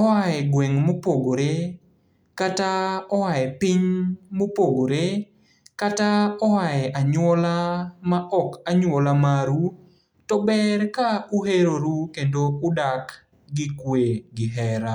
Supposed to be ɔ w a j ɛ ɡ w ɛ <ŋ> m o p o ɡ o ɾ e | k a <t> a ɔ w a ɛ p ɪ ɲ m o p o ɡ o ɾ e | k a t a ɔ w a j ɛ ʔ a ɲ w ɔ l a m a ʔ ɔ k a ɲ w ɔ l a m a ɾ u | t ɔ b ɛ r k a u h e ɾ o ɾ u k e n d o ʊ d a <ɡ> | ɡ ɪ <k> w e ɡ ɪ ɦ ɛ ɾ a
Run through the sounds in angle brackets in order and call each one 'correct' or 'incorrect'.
correct, correct, incorrect: k, correct

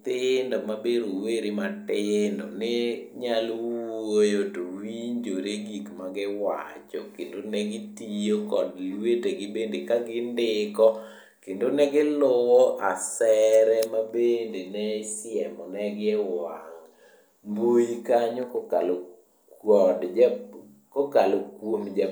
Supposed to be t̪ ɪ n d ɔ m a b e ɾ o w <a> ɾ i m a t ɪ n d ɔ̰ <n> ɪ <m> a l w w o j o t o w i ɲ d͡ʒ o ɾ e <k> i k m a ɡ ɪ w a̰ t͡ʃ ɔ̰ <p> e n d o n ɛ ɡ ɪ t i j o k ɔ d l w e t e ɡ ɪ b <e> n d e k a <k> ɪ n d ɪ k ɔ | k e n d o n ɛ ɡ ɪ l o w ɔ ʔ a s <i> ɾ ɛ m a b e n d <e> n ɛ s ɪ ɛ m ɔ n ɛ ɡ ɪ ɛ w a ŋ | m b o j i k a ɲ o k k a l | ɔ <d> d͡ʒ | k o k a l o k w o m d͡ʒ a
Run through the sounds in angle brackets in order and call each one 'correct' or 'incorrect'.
incorrect: e, correct, incorrect: ɲ, incorrect: ɡ, incorrect: k, correct, incorrect: ɡ, incorrect: ɛ, correct, correct

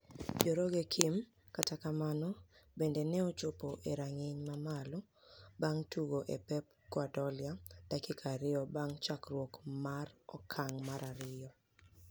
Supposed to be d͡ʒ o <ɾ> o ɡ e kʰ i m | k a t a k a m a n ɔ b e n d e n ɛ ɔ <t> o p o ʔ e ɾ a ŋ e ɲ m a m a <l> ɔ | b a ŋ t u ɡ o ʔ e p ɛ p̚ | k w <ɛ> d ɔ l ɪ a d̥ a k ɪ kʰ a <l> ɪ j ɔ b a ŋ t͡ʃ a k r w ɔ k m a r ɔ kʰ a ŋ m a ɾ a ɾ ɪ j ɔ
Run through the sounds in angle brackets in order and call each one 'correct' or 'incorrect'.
correct, incorrect: t͡ʃ, correct, incorrect: a, incorrect: ɾ

